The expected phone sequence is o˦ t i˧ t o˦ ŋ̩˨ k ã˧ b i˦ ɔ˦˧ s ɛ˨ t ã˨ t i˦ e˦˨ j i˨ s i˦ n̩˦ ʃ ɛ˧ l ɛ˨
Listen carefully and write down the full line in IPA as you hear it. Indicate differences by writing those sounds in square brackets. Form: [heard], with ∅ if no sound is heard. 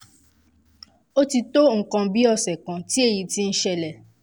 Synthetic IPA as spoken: o˦ t i˧ t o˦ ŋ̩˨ k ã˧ b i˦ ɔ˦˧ s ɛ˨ [k] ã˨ t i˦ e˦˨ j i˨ [t] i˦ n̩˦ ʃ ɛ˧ l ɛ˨